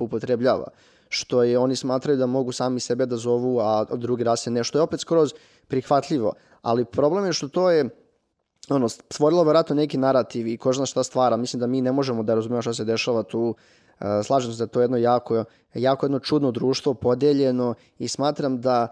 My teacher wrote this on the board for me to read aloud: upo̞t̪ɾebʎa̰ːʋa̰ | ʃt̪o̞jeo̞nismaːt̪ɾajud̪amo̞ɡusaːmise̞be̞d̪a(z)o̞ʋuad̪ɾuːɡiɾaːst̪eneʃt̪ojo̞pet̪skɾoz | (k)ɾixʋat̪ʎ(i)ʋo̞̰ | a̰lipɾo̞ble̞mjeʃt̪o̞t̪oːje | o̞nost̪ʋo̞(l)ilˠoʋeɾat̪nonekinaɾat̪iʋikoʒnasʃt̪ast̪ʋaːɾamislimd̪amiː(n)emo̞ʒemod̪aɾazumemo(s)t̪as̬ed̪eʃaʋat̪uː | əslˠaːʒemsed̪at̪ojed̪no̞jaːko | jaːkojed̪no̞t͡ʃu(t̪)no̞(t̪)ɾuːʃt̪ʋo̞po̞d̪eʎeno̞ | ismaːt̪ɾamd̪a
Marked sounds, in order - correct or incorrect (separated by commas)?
correct, incorrect, correct, incorrect, correct, incorrect, incorrect, incorrect